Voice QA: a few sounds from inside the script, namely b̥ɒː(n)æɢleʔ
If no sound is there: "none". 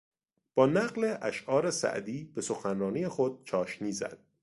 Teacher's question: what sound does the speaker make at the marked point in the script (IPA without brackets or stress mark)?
n